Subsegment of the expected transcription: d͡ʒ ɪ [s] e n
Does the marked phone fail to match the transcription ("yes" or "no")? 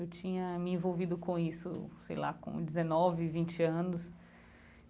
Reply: yes